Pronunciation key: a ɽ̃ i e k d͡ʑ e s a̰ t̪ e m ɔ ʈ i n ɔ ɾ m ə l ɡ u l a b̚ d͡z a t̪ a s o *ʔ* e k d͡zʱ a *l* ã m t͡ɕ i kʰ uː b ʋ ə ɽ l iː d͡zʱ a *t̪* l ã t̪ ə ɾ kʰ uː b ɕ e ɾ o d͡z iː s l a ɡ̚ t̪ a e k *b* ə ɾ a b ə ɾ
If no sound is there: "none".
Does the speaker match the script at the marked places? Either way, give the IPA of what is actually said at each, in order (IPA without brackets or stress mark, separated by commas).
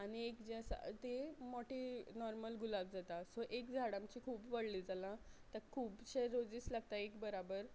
ʔ, ɽ, none, b